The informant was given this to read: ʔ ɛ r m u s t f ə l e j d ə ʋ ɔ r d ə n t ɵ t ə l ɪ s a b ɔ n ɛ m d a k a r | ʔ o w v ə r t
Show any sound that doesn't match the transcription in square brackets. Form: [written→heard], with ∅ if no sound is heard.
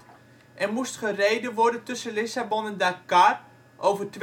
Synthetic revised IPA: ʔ ɛ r m u s t [f→χ] ə [l→r] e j d ə ʋ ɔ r d ə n t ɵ [t→s] ə l ɪ s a b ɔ n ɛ [m→n] d a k a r | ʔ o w v ə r t